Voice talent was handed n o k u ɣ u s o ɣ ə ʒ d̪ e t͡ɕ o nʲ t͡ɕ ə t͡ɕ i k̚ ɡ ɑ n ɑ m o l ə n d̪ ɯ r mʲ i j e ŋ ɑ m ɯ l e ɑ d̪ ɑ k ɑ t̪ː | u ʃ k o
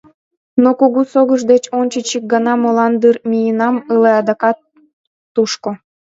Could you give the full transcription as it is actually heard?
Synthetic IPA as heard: n o k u ɣ u s o ɣ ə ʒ d̪ e t͡ɕ o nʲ t͡ɕ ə t͡ɕ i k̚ ɡ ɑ n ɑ m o l ɑ n d̪ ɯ r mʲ i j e n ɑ m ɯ l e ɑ d̪ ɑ k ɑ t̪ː | u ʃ k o